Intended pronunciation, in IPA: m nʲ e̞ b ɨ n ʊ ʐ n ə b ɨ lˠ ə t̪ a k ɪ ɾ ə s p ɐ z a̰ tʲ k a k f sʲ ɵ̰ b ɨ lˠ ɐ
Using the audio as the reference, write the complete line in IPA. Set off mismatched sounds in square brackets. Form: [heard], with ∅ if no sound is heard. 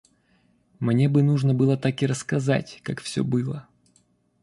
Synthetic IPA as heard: m nʲ e̞ b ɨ n [u] ʐ n ə b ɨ lˠ ə t̪ a k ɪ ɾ ə s [k] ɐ z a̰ tʲ k a k f sʲ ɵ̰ b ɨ lˠ [ə]